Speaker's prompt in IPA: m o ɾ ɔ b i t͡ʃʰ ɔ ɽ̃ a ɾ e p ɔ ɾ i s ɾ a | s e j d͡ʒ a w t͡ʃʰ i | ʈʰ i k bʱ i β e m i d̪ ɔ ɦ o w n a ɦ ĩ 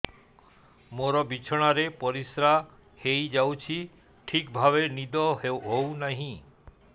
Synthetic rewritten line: m o ɾ ɔ b i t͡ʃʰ ɔ ɽ̃ a ɾ e p ɔ ɾ i s ɾ a | h e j d͡ʒ a w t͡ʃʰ i | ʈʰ i k bʱ a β e n i d̪ ɔ ɦ o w n a ɦ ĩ

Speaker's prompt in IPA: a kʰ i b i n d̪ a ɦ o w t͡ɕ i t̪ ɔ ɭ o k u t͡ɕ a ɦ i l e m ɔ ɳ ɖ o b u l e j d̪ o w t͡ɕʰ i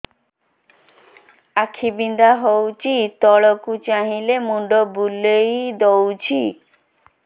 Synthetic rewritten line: a kʰ i b i n d̪ a ɦ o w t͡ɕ i t̪ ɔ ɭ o k u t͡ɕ a ɦ i l e m u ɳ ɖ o b u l e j d̪ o w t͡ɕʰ i

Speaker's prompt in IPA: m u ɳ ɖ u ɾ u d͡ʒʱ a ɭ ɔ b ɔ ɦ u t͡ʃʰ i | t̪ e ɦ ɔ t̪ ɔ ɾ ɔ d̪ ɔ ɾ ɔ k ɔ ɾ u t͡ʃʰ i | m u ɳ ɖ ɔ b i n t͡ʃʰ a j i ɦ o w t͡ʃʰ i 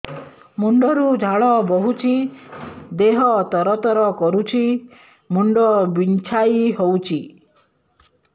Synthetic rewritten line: m u ɳ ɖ ɔ ɾ u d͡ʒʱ a ɭ ɔ b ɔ ɦ u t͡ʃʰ i | d̪ e ɦ ɔ t̪ ɔ ɾ ɔ t̪ ɔ ɾ ɔ k ɔ ɾ u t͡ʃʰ i | m u ɳ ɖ ɔ b i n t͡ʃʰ a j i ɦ o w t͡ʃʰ i

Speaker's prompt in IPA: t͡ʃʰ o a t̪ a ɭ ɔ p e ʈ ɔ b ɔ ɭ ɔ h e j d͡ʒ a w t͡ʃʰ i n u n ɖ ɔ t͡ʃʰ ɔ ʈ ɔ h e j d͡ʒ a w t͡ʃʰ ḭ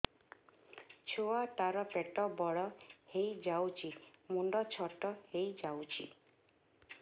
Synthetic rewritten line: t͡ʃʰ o a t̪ a ɾ ɔ p e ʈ ɔ b ɔ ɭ ɔ h e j d͡ʒ a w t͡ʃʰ i m u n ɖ ɔ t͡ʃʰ ɔ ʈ ɔ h e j d͡ʒ a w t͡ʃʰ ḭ

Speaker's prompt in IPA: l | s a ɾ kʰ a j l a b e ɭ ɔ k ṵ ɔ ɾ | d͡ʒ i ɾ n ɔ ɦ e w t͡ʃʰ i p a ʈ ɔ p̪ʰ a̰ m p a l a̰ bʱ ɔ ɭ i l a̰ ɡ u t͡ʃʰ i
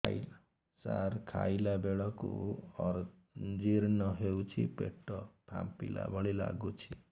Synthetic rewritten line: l | s a ɾ kʰ a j l a b e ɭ ɔ k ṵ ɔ ɾ | d͡ʒ i ɾ n ɔ ɦ e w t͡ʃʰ i p e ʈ ɔ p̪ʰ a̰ m p i l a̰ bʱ ɔ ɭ i l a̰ ɡ u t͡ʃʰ i

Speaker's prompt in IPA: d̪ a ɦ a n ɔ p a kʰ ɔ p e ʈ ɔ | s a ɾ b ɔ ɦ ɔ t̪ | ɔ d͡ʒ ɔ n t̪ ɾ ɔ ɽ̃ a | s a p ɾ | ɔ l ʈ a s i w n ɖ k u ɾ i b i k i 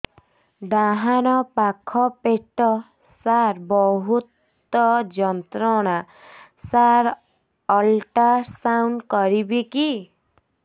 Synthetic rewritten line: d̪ a ɦ a n ɔ p a kʰ ɔ p e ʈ ɔ | s a ɾ b ɔ ɦ u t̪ | ɔ d͡ʒ ɔ n t̪ ɾ ɔ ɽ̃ a | s a ɾ | ɔ l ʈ a s a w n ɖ k ɔ ɾ i b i k i

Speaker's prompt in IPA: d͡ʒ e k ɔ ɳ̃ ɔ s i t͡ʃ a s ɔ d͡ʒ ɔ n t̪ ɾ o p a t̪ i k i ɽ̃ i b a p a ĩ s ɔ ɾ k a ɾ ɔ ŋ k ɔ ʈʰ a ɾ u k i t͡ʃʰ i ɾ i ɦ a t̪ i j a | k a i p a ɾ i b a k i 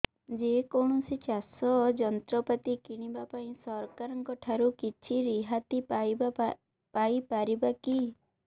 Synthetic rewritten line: d͡ʒ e k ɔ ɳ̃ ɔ s i t͡ʃ a s ɔ d͡ʒ ɔ n t̪ ɾ ɔ p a t̪ i k i ɽ̃ i b a p a ĩ s ɔ ɾ k a ɾ ɔ ŋ k ɔ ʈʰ a ɾ u k i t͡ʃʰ i ɾ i ɦ a t̪ i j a | p a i p a ɾ i b a k i

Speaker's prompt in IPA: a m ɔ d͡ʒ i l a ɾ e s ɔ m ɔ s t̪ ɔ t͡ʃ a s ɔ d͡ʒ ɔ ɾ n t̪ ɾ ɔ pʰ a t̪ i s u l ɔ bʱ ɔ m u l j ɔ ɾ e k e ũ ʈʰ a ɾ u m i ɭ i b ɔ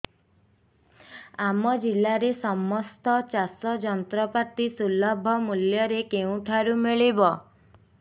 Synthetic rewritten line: a m ɔ d͡ʒ i l a ɾ e s ɔ m ɔ s t̪ ɔ t͡ʃ a s ɔ d͡ʒ ɔ n t̪ ɾ ɔ p a t̪ i s u l ɔ bʱ ɔ m u l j ɔ ɾ e k e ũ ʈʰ a ɾ u m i ɭ i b ɔ

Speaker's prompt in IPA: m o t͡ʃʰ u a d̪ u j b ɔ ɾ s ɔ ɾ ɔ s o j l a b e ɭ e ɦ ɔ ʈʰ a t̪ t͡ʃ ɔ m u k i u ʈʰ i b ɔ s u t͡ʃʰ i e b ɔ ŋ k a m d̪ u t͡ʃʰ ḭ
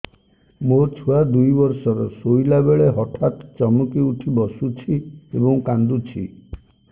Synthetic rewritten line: m o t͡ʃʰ u a d̪ u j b ɔ ɾ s ɔ ɾ ɔ s o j l a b e ɭ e ɦ ɔ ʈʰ a t̪ t͡ʃ ɔ m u k i u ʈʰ i b ɔ s u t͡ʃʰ i e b ɔ ŋ k a n d̪ u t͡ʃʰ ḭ

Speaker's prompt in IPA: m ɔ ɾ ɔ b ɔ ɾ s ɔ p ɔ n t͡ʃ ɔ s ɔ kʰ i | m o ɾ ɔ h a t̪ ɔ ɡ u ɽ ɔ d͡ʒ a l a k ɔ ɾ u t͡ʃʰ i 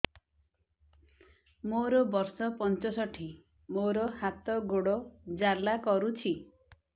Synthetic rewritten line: m o ɾ ɔ b ɔ ɾ s ɔ p ɔ n t͡ʃ ɔ s ɔ ʈʰ i | m o ɾ ɔ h a t̪ ɔ ɡ o ɽ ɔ d͡ʒ a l a k ɔ ɾ u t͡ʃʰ i

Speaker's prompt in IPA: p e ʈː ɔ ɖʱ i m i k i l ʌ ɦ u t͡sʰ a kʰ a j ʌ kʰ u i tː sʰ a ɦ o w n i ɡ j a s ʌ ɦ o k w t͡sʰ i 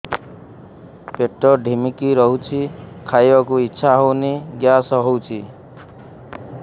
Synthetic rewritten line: p e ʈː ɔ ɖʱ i m i k i ɾ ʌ ɦ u t͡sʰ i kʰ a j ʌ k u i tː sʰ a ɦ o w n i ɡ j a s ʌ ɦ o w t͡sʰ i

